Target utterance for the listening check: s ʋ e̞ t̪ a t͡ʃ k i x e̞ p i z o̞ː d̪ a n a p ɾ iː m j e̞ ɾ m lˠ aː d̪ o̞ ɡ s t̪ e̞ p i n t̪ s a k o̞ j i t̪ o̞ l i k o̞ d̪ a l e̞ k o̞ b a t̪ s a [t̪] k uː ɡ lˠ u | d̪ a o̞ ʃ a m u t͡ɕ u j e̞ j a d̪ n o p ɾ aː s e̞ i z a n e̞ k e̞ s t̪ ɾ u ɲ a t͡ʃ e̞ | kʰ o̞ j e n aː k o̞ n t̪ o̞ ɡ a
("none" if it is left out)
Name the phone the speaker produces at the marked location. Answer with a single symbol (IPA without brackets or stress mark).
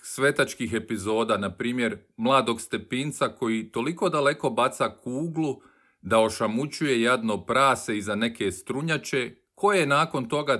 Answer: none